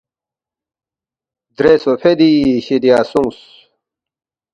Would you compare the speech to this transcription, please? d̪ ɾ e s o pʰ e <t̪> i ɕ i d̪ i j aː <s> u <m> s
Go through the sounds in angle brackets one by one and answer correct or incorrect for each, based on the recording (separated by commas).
incorrect, correct, incorrect